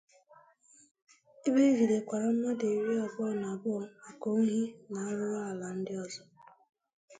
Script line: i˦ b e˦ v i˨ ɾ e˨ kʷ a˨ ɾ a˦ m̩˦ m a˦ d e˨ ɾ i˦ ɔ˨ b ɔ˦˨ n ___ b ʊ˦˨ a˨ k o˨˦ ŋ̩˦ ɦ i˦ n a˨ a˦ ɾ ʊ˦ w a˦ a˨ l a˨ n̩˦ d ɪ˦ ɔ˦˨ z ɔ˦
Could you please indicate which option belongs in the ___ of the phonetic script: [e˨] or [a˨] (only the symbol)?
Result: a˨